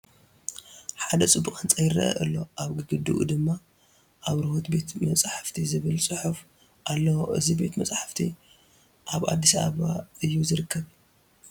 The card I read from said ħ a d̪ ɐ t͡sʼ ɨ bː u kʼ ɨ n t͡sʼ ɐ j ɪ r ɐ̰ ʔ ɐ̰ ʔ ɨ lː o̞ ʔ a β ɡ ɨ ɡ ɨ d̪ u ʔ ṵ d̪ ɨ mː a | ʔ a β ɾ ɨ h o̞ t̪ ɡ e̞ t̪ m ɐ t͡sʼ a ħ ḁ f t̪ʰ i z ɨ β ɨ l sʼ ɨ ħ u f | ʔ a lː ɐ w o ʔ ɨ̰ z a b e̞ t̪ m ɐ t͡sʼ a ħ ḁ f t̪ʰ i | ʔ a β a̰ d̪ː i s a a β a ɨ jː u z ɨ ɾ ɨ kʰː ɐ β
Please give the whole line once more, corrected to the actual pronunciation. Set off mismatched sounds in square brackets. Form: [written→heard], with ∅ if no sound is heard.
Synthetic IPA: ħ a d̪ ɐ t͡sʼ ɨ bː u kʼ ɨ n t͡sʼ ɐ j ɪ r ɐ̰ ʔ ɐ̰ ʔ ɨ lː o̞ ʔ a β ɡ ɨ ɡ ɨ d̪ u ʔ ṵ d̪ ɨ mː a | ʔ a β ɾ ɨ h o̞ t̪ [ɡ→b] e̞ t̪ m ɐ t͡sʼ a ħ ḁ f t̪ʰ i z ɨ β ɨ l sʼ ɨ ħ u f | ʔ a lː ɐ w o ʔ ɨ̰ z [a→i] b e̞ t̪ m ɐ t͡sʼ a ħ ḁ f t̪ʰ i | ʔ a β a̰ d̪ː i s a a β a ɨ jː u z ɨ ɾ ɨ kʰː ɐ β

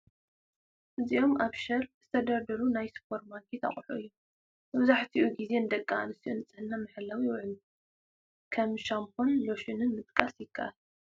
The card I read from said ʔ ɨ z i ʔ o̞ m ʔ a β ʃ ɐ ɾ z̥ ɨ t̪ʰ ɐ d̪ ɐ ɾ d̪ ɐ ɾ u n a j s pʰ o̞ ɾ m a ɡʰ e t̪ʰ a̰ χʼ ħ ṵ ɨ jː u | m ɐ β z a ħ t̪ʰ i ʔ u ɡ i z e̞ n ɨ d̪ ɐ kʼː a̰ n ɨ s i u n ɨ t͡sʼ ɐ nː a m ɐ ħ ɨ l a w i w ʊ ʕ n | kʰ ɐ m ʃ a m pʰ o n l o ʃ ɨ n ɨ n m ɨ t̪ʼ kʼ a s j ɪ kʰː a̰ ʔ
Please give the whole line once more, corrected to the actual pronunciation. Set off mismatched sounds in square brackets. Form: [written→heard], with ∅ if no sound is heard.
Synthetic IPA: ʔ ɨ z i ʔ o̞ m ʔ a β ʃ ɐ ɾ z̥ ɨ t̪ʰ ɐ d̪ ɐ ɾ d̪ ɐ ɾ u n a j s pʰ o̞ ɾ m a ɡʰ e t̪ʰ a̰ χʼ ħ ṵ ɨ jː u | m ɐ β z a ħ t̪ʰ i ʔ u ɡ i z e̞ n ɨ d̪ ɐ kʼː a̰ n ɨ s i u n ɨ t͡sʼ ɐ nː a m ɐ ħ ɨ l a w i w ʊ ʕ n | kʰ ɐ m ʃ a m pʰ o n l o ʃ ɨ n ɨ n m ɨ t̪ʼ kʼ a s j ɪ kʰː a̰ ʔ

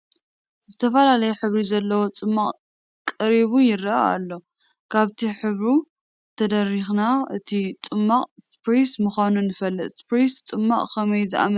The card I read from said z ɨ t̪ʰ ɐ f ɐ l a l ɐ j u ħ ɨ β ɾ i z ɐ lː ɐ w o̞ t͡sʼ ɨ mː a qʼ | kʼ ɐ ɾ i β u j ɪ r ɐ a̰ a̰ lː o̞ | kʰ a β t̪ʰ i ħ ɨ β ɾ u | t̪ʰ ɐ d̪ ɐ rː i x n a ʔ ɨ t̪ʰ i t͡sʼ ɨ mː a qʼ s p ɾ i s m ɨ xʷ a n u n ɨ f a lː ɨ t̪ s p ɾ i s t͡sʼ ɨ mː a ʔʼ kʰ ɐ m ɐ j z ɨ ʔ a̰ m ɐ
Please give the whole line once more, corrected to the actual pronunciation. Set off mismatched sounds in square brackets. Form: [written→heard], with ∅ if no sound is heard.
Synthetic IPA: z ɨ t̪ʰ ɐ f ɐ l a l ɐ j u ħ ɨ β ɾ i z ɐ lː ɐ w o̞ t͡sʼ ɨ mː a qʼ | kʼ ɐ ɾ i β u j ɪ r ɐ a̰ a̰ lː o̞ | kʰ a β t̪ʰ i ħ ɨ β ɾ u | t̪ʰ ɐ d̪ ɐ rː i x n a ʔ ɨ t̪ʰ i t͡sʼ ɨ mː a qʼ s p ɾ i s m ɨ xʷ a n u n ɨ f [a→ɐ] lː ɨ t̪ s p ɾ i s t͡sʼ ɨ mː a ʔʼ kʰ ɐ m ɐ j z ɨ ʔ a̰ m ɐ

